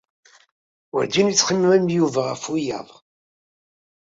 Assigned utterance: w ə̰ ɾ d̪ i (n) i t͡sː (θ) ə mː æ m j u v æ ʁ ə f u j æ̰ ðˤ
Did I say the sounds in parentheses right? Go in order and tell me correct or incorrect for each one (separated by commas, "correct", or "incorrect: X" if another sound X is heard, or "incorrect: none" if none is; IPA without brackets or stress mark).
correct, incorrect: χ